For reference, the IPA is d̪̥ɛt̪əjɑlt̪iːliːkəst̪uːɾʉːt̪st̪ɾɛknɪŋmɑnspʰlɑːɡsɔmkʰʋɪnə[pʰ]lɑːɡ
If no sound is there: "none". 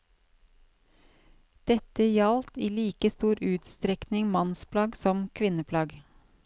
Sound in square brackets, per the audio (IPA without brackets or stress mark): pʰ